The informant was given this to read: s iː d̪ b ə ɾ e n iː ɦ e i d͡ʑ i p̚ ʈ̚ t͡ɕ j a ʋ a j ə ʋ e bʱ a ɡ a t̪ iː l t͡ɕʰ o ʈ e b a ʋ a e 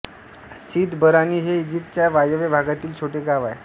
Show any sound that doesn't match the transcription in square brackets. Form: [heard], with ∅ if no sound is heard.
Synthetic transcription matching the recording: s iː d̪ b ə ɾ [a] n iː ɦ e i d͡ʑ i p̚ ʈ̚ t͡ɕ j a ʋ a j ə ʋ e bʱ a ɡ a t̪ iː l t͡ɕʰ o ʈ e [ɡ] a ʋ a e